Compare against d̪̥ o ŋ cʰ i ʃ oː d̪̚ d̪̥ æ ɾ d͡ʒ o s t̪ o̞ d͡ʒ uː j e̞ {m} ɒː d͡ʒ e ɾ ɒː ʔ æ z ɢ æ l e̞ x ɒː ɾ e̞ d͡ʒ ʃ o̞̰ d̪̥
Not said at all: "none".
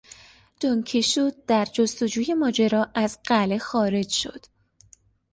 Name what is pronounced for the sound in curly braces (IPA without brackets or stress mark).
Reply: m